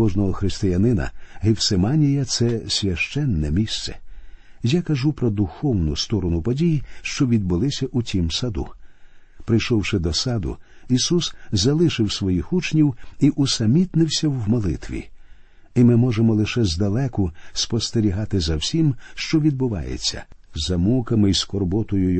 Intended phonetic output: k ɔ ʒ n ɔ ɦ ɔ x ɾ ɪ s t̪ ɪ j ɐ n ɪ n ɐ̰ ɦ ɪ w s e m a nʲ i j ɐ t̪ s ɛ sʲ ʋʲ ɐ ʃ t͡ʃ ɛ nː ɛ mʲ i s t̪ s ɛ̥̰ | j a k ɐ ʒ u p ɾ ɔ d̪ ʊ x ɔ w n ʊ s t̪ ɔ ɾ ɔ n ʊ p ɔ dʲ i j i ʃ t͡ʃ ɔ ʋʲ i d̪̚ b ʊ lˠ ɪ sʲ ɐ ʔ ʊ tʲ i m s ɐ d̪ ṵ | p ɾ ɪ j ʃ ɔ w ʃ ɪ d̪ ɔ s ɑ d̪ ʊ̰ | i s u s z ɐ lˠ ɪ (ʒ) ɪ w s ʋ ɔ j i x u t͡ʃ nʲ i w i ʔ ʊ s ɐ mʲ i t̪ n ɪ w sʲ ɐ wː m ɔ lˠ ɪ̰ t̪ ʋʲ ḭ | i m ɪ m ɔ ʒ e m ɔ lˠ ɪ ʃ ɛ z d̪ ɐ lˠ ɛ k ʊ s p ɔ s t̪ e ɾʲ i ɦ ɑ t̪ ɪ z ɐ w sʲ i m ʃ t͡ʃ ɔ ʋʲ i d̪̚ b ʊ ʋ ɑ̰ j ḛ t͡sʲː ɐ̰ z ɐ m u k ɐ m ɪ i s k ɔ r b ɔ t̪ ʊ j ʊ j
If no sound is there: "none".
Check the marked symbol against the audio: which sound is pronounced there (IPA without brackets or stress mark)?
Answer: ʃ